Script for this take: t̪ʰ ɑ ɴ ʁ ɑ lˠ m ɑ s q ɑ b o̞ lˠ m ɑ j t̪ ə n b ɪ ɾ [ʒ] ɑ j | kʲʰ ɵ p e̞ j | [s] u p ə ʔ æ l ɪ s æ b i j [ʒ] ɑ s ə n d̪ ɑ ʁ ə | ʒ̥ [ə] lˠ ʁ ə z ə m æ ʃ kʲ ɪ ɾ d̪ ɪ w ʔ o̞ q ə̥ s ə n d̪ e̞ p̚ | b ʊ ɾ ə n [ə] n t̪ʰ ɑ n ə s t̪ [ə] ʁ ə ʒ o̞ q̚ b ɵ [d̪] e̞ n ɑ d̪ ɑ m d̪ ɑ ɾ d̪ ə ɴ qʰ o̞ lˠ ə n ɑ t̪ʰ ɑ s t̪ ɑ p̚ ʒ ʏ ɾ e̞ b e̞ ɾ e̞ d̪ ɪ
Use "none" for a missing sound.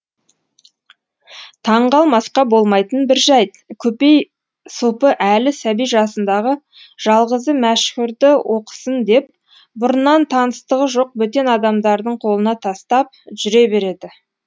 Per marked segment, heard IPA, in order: ʒ, s, ʒ, ɑ, ɑ, ə, t̪

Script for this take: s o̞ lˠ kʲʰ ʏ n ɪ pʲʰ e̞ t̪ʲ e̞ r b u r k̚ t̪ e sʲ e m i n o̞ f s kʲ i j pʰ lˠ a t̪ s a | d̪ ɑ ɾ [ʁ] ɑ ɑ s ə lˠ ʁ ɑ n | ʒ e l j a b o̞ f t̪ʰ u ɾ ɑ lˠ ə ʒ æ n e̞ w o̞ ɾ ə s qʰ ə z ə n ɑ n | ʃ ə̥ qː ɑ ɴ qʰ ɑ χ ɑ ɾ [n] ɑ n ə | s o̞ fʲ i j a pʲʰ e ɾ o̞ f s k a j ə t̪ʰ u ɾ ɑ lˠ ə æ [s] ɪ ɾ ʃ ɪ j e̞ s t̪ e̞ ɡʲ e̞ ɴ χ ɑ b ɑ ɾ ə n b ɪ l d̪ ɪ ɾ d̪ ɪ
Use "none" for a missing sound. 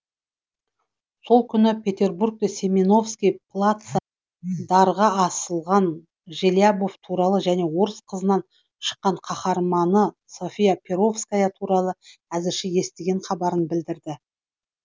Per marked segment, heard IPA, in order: ʁ, m, z

